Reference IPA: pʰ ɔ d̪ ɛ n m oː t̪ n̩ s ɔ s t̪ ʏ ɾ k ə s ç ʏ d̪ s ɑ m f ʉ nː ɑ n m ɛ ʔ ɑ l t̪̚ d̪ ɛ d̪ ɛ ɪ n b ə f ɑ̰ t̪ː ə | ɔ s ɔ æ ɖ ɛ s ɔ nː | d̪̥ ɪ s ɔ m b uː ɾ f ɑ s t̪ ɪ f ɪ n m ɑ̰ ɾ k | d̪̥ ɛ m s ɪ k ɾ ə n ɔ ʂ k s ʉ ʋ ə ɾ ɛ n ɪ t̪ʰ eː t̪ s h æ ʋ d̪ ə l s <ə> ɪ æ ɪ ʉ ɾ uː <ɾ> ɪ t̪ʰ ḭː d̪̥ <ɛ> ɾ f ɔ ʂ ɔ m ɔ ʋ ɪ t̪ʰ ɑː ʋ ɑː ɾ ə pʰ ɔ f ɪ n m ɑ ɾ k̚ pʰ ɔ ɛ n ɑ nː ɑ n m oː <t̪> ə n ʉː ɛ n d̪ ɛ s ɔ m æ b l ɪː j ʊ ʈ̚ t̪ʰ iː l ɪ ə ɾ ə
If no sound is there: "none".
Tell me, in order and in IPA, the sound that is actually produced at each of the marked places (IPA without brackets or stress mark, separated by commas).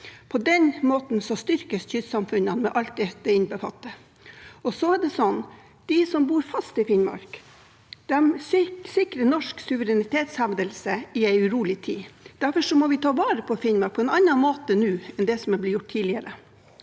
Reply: ə, l, æ, t̪